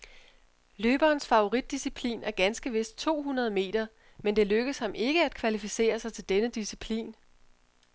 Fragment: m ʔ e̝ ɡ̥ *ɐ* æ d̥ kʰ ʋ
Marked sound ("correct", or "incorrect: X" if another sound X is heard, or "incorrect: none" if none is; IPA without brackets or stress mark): incorrect: ə